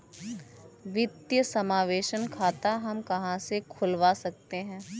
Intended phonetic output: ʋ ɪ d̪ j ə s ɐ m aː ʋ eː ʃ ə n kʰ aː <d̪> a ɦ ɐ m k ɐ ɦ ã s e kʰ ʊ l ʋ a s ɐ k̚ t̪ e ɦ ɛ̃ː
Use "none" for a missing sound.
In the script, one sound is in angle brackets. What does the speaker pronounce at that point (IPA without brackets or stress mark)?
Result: t̪